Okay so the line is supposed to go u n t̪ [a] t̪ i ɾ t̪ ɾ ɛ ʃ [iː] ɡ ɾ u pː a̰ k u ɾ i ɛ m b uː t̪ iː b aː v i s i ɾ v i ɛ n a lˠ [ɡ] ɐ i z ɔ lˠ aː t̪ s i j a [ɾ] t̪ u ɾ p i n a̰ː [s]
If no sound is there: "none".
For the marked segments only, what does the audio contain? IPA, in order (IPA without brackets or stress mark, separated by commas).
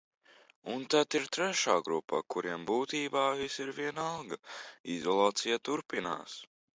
a, aː, ɡ, none, s